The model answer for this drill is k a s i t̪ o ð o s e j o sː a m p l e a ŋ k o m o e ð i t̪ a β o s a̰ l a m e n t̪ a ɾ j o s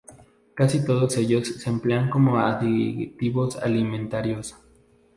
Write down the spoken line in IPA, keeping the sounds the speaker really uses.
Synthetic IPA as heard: k a s i t̪ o ð o s e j o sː e m p l e a ŋ k o m o a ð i t̪ i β o s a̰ l i m e n t̪ a ɾ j o s

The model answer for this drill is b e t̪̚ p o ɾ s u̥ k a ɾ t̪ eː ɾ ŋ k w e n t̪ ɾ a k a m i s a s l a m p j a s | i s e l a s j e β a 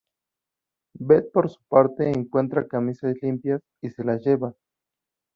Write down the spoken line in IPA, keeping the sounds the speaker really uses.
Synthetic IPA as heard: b e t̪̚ p o ɾ s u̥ p a ɾ t̪ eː ŋ k w e n t̪ ɾ a k a m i s a s l i m p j a s | i s e l a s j e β a

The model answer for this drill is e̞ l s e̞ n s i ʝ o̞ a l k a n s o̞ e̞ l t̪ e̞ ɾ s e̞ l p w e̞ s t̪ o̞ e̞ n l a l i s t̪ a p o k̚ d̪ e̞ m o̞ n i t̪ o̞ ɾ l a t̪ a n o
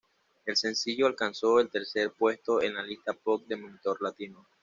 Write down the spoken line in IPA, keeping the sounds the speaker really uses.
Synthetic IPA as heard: e̞ l s e̞ n s i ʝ o̞ a l k a n s o̞ e̞ l t̪ e̞ ɾ s e̞ ɾ p w e̞ s t̪ o̞ e̞ n l a l i s t̪ a p o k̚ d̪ e̞ m o̞ n i t̪ o̞ ɾ l a t̪ i n o

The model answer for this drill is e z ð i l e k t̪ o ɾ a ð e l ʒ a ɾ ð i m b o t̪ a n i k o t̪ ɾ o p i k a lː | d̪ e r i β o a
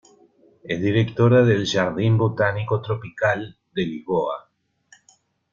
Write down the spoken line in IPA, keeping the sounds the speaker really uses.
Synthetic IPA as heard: e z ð i ɾ e k t̪ o ɾ a ð e l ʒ a ɾ ð i m b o t̪ a n i k o t̪ ɾ o p i k a l | d̪ e l i β o a

